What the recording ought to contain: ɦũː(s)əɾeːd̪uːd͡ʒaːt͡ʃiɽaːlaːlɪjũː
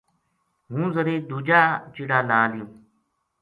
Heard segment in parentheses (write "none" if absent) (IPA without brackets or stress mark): z